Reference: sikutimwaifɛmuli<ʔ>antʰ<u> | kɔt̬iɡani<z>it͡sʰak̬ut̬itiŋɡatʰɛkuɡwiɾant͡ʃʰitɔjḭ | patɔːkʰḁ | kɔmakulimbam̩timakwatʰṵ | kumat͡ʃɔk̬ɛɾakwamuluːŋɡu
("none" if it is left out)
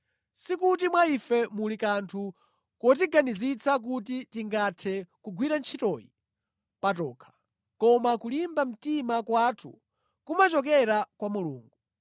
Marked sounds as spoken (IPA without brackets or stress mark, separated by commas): k, u, z